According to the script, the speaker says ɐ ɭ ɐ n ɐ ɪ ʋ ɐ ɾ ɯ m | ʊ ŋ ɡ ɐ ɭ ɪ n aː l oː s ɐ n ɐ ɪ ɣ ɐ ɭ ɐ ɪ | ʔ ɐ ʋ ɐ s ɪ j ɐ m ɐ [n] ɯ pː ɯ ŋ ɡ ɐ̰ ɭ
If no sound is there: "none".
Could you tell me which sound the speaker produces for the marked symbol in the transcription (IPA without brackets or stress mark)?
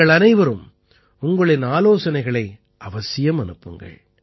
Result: n